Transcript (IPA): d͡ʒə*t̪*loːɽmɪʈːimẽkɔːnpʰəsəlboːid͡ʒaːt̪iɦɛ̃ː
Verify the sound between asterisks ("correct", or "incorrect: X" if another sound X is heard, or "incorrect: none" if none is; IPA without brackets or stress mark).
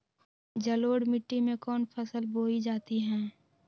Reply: incorrect: none